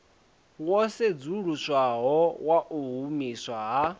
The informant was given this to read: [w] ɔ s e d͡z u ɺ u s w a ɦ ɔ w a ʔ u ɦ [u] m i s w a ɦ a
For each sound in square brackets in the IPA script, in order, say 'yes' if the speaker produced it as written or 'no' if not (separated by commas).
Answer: yes, yes